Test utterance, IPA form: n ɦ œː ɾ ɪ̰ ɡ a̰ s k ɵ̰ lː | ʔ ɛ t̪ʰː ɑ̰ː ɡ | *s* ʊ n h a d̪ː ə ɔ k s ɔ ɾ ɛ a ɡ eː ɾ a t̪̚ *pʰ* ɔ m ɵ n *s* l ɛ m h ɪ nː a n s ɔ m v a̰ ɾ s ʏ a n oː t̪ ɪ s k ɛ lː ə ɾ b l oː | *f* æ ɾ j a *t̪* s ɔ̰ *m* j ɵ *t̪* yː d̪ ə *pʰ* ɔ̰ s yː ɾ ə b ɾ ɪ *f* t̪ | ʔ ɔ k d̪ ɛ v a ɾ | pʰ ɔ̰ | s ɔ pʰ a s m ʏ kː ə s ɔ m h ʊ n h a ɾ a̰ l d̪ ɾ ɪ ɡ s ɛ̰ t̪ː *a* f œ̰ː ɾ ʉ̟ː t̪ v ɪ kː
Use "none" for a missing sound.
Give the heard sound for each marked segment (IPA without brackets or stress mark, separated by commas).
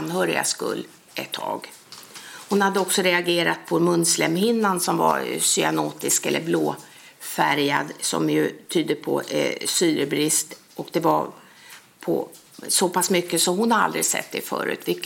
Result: h, pʰ, s, f, d̪, m, t̪ʰ, pʰ, s, ɛ